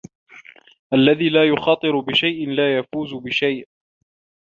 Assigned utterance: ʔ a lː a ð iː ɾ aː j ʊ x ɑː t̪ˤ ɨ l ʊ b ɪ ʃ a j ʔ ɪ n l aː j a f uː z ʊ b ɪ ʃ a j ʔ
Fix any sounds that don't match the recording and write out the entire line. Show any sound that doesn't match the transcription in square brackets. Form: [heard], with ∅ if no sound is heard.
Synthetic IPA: ʔ a lː a ð iː [l] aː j ʊ x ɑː t̪ˤ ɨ [ɾ] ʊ b ɪ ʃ a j ʔ ɪ n l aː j a f uː z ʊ b ɪ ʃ a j ʔ